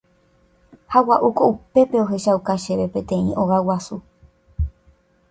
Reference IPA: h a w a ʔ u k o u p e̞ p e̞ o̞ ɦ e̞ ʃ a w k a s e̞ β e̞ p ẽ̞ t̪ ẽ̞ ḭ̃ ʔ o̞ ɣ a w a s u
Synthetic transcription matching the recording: h a w a ʔ u k o u p e̞ p e̞ o̞ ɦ e̞ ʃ a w k a ʃ e̞ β e̞ p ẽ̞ t̪ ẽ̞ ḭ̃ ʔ o̞ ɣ a w a s u